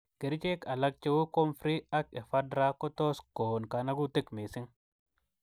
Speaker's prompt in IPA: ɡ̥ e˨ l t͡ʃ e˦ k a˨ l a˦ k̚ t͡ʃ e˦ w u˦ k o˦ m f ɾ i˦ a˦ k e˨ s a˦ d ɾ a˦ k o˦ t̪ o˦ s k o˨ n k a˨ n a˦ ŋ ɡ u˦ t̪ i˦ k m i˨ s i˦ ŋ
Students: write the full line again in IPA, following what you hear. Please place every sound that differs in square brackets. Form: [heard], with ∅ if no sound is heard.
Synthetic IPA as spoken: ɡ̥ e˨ [ɾ] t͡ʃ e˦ k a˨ l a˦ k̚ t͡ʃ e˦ w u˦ k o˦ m f ɾ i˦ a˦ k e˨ [f] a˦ d ɾ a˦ k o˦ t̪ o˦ s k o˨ n k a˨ n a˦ [∅] ɡ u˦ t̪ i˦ k m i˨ s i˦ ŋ

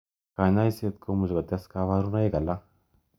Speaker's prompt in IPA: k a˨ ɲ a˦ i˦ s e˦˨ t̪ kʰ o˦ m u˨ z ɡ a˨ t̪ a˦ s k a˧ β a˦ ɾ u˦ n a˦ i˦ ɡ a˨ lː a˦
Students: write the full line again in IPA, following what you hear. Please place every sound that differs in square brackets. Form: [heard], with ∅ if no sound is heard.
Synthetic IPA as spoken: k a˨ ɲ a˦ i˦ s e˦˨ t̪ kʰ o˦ m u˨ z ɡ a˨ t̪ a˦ s k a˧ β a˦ ɾ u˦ n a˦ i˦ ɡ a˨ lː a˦

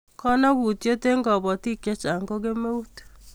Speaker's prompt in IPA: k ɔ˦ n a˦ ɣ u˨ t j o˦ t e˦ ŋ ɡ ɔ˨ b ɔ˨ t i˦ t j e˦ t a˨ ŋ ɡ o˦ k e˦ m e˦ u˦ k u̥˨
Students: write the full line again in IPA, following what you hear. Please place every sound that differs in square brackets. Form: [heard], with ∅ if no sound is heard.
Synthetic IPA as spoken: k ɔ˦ n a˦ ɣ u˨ t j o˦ t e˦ ŋ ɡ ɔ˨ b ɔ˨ t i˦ [k] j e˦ [t͡ʃ] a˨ ŋ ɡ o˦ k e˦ m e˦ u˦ [t] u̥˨

